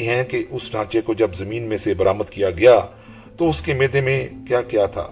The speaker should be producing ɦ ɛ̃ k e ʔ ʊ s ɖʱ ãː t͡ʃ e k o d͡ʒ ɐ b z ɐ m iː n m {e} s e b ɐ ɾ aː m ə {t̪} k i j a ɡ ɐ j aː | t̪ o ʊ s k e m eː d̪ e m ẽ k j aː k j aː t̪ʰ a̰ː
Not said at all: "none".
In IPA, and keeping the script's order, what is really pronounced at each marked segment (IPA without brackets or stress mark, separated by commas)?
ẽ, d̪